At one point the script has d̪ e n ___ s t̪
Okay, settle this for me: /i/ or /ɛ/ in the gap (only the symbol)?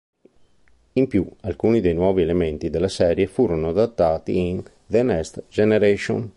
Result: ɛ